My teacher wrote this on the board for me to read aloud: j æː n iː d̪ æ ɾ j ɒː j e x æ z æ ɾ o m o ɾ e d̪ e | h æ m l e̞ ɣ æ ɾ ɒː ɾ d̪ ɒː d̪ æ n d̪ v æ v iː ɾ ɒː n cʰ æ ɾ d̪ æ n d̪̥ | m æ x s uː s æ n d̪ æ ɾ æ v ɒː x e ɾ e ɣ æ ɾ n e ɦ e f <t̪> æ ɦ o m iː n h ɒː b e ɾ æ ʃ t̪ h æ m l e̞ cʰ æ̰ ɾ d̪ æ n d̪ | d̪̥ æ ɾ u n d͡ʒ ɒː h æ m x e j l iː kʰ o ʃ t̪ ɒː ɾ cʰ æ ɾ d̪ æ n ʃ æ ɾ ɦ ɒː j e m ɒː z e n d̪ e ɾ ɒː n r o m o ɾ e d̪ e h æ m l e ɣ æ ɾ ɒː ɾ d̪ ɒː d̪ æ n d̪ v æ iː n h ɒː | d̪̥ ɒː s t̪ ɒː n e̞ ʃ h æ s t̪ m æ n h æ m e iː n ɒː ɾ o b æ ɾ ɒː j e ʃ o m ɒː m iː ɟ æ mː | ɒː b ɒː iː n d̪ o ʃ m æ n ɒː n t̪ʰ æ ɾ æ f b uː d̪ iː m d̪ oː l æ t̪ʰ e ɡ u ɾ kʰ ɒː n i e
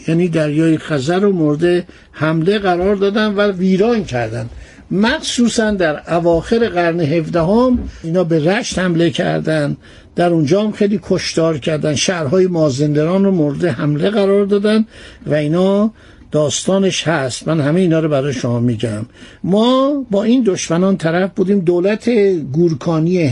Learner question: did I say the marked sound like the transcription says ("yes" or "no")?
no